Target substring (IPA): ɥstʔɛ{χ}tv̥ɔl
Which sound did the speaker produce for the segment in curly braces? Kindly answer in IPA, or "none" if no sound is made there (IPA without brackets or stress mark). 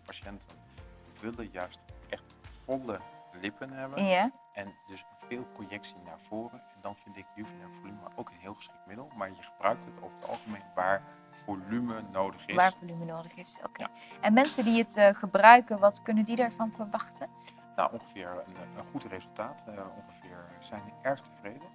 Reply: χ